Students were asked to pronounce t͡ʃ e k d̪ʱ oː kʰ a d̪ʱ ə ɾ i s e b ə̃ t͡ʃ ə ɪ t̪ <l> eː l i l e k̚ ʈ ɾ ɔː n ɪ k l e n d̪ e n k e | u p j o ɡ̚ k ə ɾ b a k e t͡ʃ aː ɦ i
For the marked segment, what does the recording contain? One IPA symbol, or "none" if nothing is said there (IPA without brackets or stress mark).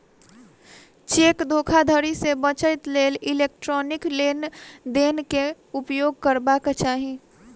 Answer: l